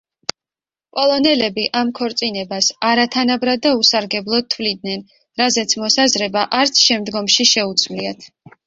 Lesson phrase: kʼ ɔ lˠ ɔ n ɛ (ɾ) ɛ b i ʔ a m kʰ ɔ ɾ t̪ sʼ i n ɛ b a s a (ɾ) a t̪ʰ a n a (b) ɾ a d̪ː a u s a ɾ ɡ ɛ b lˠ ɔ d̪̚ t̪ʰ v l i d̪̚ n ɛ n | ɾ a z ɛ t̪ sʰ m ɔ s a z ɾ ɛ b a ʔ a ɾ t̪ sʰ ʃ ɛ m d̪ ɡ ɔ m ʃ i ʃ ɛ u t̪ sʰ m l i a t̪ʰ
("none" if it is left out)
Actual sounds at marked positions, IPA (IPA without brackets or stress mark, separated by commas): l, ɾ, b